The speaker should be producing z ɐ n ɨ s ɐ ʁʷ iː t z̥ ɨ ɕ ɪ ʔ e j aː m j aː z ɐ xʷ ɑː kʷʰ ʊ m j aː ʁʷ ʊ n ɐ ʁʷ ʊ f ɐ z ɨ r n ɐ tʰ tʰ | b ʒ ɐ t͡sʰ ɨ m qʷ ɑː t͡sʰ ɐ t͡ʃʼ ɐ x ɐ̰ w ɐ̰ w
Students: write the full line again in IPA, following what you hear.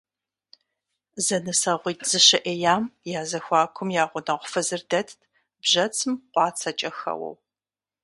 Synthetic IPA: z ɐ n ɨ s ɐ ʁʷ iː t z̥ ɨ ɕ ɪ ʔ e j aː m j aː z ɐ xʷ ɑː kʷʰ ʊ m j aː ʁʷ ʊ n ɐ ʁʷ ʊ f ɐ z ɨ r d ɐ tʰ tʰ | b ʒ ɐ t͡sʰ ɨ m qʷ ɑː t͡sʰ ɐ t͡ʃʼ ɐ x ɐ̰ w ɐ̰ w

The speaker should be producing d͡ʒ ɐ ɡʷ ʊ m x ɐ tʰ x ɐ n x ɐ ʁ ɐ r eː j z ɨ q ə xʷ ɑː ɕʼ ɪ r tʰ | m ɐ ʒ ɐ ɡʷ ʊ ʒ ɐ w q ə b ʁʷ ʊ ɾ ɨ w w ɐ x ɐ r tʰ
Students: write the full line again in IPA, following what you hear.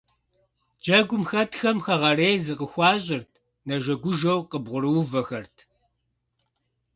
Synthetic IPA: d͡ʒ ɐ ɡʷ ʊ m x ɐ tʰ x ɐ m x ɐ ʁ ɐ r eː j z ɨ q ə xʷ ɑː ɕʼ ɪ r tʰ | n ɐ ʒ ɐ ɡʷ ʊ ʒ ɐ w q ə b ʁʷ ʊ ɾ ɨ w v ɐ x ɐ r tʰ

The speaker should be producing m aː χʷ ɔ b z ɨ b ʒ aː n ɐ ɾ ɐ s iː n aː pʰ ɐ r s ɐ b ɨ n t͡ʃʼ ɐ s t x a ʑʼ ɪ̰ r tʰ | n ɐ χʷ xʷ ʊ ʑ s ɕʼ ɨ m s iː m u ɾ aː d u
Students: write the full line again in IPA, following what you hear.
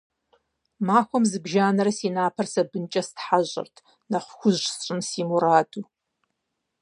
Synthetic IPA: m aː xʷ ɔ m z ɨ b ʒ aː n ɐ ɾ ɐ s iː n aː pʰ ɐ r s ɐ b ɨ n t͡ʃʼ ɐ s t ħ a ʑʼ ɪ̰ r tʰ | n ɐ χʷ xʷ ʊ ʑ s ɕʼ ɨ m s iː m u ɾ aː d u

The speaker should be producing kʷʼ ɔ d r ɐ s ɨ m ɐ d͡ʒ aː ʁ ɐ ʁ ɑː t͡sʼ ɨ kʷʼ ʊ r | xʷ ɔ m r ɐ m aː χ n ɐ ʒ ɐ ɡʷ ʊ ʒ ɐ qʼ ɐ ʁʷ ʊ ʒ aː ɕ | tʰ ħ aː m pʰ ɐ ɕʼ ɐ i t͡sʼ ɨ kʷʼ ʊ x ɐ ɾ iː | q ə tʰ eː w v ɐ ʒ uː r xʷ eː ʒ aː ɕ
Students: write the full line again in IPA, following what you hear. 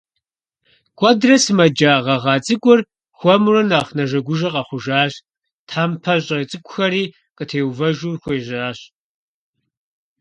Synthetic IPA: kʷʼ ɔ d r ɐ s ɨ m ɐ d͡ʒ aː ʁ ɐ ʁ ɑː t͡sʼ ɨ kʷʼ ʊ r | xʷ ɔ m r ɐ n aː χ n ɐ ʒ ɐ ɡʷ ʊ ʒ ɐ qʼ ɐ χʷ ʊ ʒ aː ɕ | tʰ ħ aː m pʰ ɐ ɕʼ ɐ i t͡sʼ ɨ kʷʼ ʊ x ɐ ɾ iː | q ə tʰ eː w v ɐ ʒ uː r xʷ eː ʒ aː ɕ

